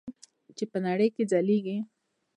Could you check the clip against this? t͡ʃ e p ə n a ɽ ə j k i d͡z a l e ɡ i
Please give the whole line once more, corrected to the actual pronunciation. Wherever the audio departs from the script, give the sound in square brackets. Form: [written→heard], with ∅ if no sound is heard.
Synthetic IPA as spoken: t͡ʃ e p ə n a ɽ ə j k [i→e] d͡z a l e ɡ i